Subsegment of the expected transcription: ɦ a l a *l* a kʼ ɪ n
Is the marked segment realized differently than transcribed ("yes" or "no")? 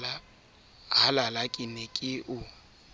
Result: no